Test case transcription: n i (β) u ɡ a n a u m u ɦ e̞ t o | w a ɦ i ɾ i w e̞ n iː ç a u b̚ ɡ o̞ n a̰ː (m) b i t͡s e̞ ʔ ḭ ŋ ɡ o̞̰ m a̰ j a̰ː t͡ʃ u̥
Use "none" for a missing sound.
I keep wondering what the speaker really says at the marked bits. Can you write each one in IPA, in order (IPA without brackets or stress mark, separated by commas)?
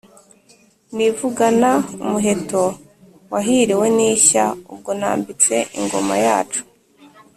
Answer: v, m